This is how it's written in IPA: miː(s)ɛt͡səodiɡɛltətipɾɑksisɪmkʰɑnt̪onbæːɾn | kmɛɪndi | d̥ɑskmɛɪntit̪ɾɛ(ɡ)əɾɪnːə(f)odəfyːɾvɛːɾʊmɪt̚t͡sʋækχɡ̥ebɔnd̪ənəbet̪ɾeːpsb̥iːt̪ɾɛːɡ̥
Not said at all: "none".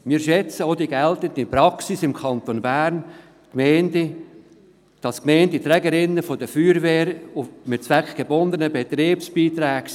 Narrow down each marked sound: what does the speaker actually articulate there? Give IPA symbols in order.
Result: ʃ, ɡ, f

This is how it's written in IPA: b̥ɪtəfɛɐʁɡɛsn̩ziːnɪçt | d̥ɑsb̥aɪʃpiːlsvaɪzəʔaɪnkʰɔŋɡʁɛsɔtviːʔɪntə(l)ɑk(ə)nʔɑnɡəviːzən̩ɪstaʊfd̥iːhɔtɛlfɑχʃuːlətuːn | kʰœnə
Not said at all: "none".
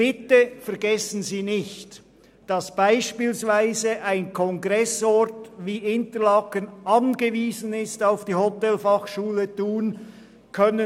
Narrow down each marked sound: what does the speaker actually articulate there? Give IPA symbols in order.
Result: l, ə

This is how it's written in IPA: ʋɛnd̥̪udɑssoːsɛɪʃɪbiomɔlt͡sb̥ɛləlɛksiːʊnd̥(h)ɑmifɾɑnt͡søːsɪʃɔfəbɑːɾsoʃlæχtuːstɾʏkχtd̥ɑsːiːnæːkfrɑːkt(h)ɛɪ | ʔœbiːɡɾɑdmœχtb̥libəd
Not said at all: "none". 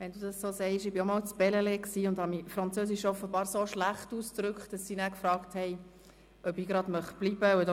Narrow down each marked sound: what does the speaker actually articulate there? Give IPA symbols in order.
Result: h, h

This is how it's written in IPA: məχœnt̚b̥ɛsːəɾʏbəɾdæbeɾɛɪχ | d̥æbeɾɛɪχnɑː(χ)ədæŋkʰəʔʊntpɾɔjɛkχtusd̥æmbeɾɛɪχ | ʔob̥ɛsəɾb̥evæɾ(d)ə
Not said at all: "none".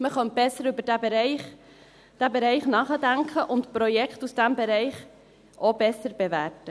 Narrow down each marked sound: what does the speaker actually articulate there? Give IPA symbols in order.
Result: χ, t

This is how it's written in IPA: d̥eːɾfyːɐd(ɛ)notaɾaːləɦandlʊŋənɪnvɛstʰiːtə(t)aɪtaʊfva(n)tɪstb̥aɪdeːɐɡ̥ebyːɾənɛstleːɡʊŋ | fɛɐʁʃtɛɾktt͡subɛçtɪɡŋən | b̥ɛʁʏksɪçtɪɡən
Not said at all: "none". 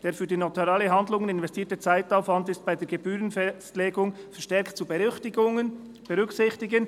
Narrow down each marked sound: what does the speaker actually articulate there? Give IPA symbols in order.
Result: i, t͡s, n

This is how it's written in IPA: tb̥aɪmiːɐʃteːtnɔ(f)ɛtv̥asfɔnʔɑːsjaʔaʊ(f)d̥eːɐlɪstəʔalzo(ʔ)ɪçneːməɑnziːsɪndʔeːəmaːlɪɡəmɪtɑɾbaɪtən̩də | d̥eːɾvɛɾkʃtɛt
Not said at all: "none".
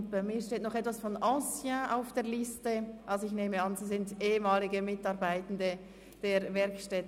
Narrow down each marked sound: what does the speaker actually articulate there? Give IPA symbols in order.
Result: χ, f, none

